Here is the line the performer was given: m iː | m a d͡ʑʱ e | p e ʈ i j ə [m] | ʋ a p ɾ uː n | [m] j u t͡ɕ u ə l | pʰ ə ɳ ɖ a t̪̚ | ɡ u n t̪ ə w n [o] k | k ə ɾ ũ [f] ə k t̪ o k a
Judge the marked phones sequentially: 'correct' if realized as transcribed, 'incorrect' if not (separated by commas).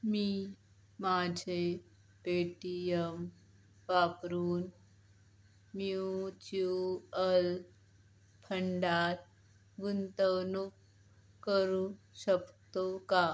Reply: correct, correct, incorrect, incorrect